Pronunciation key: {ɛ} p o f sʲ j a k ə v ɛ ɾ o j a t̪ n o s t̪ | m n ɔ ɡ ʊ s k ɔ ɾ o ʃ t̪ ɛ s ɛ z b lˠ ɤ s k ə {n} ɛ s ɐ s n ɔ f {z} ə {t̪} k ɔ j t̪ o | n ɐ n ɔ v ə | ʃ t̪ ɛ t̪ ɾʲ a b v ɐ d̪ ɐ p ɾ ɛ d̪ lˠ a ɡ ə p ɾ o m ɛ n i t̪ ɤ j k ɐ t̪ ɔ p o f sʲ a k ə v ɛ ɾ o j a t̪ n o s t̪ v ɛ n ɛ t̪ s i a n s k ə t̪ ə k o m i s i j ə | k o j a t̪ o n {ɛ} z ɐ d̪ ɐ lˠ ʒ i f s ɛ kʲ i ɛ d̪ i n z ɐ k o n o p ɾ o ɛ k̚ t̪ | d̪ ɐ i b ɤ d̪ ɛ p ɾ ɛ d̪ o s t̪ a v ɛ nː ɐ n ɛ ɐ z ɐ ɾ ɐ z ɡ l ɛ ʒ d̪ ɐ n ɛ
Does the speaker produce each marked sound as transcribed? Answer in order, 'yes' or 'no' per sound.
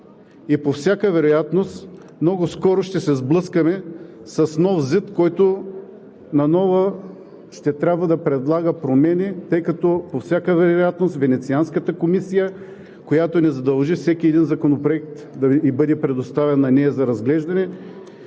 no, no, yes, yes, yes

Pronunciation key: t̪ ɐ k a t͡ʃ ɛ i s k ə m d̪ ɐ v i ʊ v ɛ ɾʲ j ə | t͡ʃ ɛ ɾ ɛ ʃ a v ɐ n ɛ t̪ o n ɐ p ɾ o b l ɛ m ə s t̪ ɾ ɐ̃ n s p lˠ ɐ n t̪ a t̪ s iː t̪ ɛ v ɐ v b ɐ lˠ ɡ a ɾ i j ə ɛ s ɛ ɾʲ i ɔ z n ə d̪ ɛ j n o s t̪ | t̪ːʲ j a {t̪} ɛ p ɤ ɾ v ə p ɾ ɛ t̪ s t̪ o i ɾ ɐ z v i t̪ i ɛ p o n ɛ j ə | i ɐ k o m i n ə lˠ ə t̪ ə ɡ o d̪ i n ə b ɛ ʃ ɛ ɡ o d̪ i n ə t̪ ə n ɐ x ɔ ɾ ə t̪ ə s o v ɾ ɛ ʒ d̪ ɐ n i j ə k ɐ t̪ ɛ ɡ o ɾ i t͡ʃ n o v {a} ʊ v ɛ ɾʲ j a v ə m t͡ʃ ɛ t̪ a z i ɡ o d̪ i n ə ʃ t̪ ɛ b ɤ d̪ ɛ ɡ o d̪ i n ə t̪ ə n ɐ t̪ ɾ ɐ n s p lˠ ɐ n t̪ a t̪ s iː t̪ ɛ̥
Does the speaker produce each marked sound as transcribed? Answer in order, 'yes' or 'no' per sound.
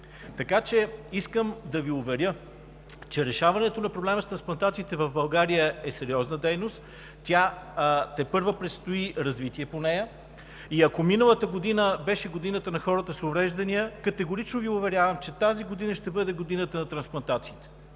yes, no

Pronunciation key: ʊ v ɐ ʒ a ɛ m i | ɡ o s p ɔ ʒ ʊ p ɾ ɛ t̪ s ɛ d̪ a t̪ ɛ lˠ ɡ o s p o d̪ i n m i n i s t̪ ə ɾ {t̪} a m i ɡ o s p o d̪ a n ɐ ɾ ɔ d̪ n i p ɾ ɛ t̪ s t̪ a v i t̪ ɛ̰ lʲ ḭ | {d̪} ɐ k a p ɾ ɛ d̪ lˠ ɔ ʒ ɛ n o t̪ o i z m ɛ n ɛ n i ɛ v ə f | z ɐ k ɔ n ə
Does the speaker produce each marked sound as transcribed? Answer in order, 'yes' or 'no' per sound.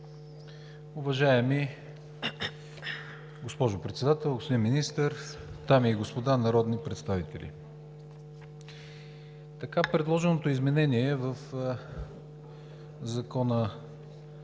yes, no

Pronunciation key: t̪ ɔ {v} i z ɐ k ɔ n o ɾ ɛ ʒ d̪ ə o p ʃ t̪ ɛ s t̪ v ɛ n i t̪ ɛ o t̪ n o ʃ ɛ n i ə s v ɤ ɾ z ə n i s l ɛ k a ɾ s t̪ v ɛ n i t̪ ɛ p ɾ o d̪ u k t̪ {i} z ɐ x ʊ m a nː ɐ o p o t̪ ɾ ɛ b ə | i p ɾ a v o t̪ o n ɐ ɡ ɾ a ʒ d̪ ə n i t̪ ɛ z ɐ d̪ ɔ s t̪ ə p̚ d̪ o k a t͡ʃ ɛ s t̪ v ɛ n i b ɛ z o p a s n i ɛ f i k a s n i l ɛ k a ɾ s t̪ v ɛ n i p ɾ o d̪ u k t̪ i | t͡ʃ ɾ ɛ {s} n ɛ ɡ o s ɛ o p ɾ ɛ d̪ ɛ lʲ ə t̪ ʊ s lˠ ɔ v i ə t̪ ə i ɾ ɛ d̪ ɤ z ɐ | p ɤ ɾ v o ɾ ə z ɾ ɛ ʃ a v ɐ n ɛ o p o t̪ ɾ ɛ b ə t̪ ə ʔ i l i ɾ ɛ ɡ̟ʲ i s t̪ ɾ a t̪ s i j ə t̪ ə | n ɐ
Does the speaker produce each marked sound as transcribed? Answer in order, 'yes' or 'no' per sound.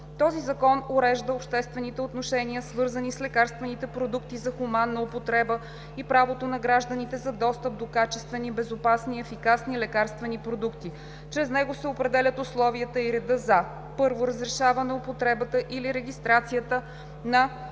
no, yes, no

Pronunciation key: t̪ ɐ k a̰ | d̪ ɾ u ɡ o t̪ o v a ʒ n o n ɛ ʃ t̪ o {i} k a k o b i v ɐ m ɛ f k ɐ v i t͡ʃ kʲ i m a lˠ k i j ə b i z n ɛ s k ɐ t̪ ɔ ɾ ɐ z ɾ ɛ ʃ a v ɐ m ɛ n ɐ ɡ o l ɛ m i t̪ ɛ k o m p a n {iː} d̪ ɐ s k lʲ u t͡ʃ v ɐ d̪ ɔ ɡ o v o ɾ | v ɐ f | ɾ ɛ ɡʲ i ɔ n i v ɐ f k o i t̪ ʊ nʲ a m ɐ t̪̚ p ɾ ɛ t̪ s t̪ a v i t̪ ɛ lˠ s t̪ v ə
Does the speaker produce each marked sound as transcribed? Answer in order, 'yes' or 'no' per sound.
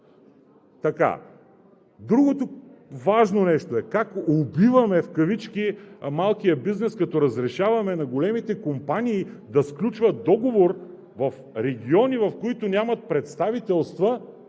no, yes

